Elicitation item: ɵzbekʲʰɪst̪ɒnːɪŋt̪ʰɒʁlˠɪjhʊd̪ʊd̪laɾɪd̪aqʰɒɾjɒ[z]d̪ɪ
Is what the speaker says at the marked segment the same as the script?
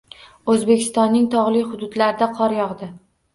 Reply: no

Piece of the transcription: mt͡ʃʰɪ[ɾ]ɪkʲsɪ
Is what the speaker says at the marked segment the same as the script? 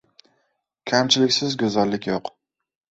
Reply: no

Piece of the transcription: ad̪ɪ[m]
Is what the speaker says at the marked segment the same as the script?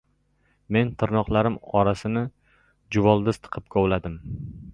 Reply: yes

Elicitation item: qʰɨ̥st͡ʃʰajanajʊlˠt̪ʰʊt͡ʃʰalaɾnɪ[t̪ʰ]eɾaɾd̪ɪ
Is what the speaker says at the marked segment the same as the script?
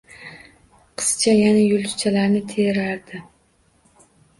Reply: yes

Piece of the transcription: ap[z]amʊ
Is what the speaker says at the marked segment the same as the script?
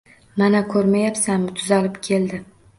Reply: no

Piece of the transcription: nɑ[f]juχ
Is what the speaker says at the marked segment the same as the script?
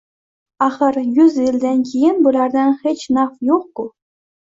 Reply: yes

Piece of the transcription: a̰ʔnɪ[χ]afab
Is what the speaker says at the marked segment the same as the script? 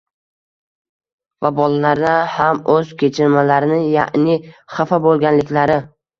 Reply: yes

